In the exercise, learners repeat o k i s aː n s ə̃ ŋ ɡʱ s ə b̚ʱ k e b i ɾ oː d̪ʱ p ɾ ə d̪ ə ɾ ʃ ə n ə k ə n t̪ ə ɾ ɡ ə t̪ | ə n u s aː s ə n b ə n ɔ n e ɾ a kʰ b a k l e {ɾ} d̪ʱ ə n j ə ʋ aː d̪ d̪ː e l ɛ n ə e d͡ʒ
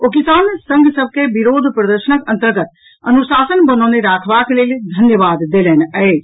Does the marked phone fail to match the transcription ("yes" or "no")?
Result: yes